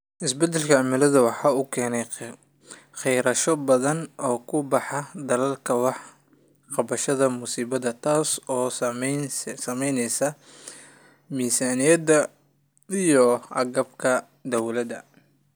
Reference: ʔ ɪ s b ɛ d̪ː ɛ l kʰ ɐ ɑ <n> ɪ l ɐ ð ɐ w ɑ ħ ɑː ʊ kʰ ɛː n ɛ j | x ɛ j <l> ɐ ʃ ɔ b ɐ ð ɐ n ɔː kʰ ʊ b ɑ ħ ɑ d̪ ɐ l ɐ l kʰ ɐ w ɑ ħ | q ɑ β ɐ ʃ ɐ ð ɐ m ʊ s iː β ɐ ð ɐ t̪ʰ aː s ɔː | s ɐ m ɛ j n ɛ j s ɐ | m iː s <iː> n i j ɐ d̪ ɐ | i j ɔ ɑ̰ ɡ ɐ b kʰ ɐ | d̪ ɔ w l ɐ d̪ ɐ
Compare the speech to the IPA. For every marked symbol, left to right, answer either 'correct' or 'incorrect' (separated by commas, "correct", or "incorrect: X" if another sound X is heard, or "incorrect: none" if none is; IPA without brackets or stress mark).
incorrect: m, incorrect: ɾ, incorrect: aː